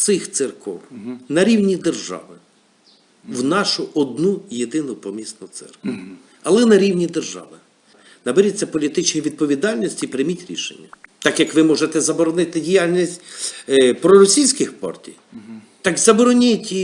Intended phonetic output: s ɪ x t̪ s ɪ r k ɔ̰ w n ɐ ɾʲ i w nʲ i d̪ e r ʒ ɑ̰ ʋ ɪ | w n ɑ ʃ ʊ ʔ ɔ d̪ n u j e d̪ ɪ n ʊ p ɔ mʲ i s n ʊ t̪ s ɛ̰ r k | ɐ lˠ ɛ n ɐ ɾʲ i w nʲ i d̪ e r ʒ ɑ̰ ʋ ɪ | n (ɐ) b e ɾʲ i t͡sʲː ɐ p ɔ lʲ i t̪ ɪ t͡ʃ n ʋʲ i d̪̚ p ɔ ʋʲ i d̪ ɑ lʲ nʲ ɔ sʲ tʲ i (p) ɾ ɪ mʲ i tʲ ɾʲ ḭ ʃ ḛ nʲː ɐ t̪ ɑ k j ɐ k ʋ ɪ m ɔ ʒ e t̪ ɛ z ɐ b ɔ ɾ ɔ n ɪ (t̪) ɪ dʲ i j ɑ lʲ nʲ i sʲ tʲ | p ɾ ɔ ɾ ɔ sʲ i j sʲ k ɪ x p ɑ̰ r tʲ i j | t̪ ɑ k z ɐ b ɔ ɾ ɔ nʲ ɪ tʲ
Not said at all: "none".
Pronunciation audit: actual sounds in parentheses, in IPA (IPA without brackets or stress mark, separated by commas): ɐ, p, t̪